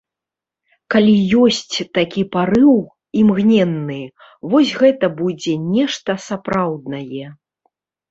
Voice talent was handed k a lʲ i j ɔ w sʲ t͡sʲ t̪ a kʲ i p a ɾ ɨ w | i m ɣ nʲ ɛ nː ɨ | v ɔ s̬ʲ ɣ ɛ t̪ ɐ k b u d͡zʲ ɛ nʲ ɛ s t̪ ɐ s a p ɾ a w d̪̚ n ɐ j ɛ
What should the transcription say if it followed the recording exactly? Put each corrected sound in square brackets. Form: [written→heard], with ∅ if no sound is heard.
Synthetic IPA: k a lʲ i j ɔ [w→∅] sʲ t͡sʲ t̪ a kʲ i p a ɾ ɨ w | i m ɣ nʲ ɛ nː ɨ | v ɔ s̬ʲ ɣ ɛ t̪ ɐ [k→∅] b u d͡zʲ ɛ nʲ ɛ [s→ʂ] t̪ ɐ s a p ɾ a w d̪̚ n ɐ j ɛ